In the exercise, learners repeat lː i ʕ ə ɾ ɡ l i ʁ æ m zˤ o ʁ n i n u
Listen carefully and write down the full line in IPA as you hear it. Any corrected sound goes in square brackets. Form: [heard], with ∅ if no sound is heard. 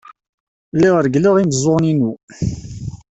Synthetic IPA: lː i [ʁ] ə ɾ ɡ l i ʁ [i] m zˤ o ʁ n i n u

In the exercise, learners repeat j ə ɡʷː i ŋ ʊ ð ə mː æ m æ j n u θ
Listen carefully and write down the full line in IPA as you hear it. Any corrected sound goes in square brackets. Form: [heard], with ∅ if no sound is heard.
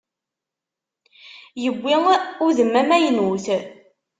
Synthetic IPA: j ə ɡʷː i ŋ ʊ ð ə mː æ m æ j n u θ

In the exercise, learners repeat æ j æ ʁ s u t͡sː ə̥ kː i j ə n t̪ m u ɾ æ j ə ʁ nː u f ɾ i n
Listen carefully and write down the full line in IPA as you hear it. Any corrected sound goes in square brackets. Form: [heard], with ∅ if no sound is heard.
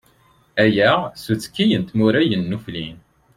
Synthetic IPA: æ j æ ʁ s u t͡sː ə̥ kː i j ə n t̪ m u ɾ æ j ə [∅] nː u f [l] i n

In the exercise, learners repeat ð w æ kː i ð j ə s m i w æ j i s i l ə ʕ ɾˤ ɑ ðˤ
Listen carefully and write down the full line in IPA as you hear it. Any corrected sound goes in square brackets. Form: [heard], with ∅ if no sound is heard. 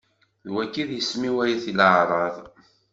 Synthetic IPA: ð w æ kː i ð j ə s m i w æ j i [θ] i l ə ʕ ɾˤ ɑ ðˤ

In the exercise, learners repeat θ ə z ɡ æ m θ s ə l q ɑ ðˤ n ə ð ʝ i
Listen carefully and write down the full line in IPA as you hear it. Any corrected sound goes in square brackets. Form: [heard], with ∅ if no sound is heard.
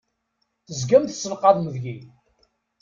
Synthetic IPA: θ ə z ɡ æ m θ s ə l q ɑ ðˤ [m] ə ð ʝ i

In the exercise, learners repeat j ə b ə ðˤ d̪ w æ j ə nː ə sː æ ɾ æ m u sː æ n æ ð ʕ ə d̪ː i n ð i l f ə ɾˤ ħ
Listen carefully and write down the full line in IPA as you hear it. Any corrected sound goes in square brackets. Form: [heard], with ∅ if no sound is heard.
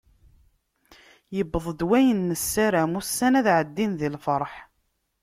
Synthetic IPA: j ə b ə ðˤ d̪ w æ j ə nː ə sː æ ɾ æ m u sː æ n æ ð ʕ ə d̪ː i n ð i l f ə ɾˤ ħ

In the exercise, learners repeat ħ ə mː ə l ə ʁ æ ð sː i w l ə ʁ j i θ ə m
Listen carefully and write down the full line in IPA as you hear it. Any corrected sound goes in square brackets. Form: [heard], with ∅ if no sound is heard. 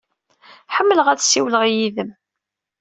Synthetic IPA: ħ ə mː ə l ə ʁ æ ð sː i w l ə ʁ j i [ð] ə m

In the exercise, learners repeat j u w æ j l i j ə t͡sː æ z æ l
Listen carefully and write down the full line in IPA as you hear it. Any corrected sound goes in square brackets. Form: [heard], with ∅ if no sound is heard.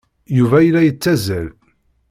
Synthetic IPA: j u [v] æ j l [æ] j ə t͡sː æ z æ l

